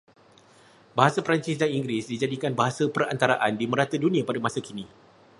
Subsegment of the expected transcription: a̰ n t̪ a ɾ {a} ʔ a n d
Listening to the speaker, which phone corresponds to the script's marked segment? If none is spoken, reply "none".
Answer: a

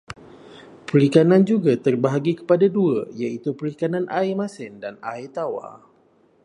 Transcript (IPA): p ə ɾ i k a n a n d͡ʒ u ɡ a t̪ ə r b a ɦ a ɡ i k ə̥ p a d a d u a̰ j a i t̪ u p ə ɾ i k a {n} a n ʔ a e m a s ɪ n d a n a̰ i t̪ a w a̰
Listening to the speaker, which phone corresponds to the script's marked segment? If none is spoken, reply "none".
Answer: n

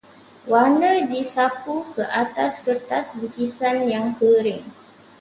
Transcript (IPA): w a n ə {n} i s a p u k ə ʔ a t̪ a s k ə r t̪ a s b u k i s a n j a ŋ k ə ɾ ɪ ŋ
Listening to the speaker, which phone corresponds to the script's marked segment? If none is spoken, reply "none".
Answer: d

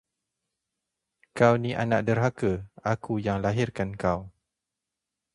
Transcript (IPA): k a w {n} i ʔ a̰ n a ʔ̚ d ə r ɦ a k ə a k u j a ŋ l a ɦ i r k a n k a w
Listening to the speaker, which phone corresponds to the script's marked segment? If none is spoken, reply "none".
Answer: n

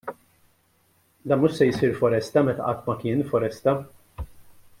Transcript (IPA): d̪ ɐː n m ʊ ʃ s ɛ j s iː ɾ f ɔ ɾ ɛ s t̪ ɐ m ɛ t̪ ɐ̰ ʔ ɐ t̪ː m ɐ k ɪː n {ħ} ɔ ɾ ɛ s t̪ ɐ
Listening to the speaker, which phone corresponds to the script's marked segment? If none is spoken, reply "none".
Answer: f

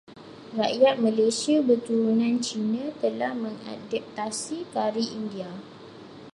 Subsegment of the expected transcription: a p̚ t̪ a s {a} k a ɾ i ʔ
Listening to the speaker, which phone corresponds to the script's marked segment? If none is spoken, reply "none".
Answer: i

